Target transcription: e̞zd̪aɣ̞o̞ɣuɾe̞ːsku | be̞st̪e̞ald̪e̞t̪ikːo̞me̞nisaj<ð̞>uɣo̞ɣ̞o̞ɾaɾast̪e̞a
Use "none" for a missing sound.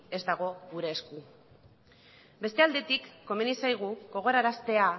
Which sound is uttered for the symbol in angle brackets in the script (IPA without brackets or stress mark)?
ɣ̞